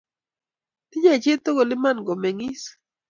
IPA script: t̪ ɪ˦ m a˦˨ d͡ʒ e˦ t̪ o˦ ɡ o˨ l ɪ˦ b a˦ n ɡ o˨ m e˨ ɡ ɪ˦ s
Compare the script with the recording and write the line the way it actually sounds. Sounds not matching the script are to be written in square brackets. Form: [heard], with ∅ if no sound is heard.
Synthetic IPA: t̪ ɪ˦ [ɲ] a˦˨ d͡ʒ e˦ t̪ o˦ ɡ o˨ l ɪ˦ [m] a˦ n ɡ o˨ m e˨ [ŋ] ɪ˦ s